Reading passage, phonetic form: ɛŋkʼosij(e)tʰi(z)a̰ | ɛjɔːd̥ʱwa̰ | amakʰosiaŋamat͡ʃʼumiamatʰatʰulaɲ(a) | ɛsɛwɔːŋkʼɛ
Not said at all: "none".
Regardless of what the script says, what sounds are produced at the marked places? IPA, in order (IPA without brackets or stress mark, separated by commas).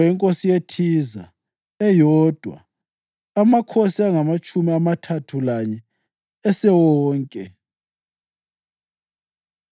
e, z, ɛ